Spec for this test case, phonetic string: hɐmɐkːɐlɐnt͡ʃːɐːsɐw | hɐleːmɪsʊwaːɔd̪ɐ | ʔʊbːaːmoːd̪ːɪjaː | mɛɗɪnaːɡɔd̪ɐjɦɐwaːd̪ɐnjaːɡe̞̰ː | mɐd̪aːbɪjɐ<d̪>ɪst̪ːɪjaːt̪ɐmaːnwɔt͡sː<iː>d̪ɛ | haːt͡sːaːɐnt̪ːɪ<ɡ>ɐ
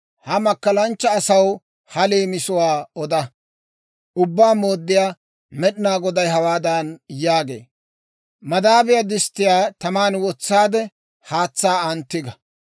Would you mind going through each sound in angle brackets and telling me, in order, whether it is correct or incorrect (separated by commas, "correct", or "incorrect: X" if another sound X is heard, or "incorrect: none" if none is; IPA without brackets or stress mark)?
correct, incorrect: aː, correct